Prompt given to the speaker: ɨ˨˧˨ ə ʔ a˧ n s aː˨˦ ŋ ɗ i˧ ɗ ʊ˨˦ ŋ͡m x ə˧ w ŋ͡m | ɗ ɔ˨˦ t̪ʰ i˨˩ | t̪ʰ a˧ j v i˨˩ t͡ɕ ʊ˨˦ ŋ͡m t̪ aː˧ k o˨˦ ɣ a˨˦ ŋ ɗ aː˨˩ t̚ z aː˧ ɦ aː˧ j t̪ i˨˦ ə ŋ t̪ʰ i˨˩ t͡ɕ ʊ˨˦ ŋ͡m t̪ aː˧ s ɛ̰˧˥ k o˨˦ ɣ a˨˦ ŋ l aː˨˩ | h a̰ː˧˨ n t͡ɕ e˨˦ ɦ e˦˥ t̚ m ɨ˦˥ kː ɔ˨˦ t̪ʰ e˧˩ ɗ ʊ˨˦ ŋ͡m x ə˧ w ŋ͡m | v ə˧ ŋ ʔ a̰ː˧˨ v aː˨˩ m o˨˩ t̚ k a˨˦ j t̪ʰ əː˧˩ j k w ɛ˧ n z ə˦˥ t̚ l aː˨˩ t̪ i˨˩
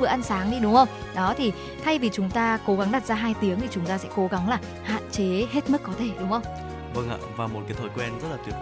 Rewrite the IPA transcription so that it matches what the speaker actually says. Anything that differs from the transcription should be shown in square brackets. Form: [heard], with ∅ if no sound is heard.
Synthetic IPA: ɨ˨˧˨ ə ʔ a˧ n s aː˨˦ ŋ ɗ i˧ ɗ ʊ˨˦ ŋ͡m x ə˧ w ŋ͡m | ɗ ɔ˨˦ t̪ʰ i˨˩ | t̪ʰ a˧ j v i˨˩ t͡ɕ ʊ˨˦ ŋ͡m t̪ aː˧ k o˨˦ ɣ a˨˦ ŋ ɗ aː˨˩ t̚ z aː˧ ɦ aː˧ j t̪ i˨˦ ə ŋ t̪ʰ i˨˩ t͡ɕ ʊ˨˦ ŋ͡m t̪ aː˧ s ɛ̰˧˥ k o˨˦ ɣ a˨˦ ŋ l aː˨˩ | h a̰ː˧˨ n t͡ɕ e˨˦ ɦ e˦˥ t̚ m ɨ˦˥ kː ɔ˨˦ t̪ʰ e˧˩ ɗ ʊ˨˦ ŋ͡m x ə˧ w ŋ͡m | v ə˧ ŋ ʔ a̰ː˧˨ v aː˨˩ m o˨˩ t̚ k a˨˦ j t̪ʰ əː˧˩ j k w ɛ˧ n z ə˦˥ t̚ l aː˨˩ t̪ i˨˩